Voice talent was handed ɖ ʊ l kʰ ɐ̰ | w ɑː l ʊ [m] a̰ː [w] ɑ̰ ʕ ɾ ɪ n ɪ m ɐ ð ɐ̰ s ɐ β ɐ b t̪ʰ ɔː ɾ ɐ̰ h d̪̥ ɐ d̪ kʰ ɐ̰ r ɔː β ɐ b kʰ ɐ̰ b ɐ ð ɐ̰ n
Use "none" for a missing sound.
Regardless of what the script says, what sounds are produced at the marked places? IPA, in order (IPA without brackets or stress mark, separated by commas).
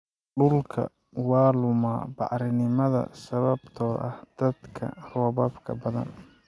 m, b